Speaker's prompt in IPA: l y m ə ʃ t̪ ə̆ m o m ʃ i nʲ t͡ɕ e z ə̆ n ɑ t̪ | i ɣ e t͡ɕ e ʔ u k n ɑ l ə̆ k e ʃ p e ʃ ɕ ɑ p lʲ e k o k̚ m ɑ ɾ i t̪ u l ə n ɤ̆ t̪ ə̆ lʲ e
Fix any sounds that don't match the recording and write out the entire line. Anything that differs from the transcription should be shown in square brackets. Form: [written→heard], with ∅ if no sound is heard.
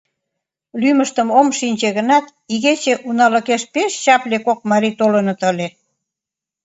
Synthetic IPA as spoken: l y m ə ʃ t̪ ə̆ m o m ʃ i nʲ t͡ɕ e [z→ɣ] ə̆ n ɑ t̪ | i ɣ e t͡ɕ e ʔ u [k→∅] n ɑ l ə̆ k e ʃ p e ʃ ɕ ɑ p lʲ e k o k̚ m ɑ ɾ i t̪ [u→o] l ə n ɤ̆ t̪ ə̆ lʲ e